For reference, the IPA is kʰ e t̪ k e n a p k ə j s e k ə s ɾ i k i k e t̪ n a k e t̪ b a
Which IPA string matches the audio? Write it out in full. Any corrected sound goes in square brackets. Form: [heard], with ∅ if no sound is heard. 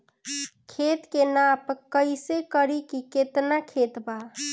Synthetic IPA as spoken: kʰ e t̪ k e n a p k ə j s e k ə [∅] ɾ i k i k e t̪ n a [kʰ] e t̪ b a